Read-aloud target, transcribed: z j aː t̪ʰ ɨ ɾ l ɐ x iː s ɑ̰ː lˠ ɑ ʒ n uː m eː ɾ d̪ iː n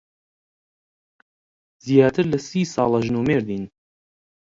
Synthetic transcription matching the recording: z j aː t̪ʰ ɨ ɾ l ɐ s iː s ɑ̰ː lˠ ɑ ʒ n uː m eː ɾ d̪ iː n

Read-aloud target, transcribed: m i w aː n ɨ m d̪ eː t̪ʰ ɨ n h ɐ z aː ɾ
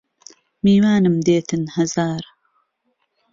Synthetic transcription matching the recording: m iː w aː n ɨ m d̪ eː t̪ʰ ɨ n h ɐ z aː ɾ

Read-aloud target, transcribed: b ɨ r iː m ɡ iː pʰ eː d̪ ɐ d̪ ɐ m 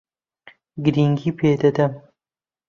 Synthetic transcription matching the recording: ɡ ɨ ɾ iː ŋ ɡ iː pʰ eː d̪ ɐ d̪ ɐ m

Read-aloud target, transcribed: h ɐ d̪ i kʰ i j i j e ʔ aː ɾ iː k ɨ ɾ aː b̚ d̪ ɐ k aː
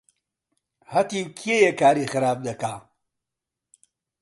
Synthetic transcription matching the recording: h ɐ t̪ i kʰ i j e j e k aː ɾ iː x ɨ ɾ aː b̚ d̪ ɐ k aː

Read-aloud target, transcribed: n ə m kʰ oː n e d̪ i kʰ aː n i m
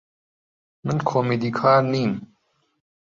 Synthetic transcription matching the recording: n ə n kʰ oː m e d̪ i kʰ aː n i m

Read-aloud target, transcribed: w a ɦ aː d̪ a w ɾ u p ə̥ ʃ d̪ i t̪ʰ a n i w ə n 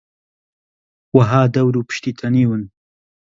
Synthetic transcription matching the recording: w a ɦ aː d̪ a w ɾ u p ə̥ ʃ t̪ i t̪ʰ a n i w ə n

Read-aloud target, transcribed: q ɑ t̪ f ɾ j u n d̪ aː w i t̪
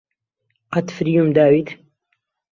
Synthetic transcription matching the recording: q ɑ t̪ f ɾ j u m d̪ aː w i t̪

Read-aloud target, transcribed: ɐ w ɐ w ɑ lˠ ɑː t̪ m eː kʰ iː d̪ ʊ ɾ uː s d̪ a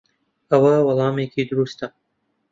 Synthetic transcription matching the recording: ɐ w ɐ w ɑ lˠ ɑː m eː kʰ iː d̪ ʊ ɾ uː s t̪ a

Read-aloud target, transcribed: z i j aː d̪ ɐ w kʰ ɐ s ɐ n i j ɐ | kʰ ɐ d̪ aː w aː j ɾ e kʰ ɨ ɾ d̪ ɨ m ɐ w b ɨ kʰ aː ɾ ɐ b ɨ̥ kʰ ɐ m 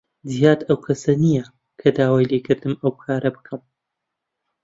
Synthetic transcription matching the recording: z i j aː d̪ ɐ w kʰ ɐ s ɐ n i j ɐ | kʰ ɐ d̪ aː w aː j l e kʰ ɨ ɾ d̪ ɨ m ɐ w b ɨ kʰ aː ɾ ɐ b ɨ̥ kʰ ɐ m

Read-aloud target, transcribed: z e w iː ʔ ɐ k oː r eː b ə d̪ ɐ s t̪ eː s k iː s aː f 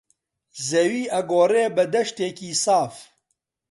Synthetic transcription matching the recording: z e w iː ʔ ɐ ɡ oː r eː b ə d̪ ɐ ʃ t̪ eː k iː s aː f

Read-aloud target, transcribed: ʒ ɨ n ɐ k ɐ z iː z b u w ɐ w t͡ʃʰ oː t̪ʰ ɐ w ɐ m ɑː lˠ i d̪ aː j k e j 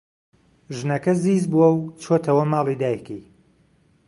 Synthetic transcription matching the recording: ʒ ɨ n ɐ k ɐ z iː z b u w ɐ w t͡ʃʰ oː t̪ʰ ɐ w ɐ m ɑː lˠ i d̪ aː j k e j

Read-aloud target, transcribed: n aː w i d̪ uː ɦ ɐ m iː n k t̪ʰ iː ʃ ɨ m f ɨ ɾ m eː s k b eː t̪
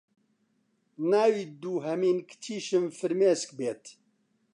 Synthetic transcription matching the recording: n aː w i d̪ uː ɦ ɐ m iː n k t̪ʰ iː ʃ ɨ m f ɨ ɾ m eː s k b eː t̪

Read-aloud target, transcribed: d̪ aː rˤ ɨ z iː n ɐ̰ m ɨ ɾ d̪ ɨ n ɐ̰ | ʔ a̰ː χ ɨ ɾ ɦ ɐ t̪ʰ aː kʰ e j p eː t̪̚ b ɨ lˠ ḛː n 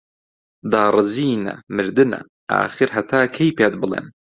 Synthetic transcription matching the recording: d̪ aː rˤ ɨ z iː n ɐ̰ m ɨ ɾ d̪ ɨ n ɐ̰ | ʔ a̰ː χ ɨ ɾ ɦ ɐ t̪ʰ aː kʰ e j p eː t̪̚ b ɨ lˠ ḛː n

